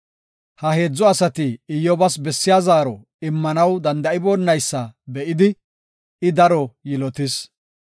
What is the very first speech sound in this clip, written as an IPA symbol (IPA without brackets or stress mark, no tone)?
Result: h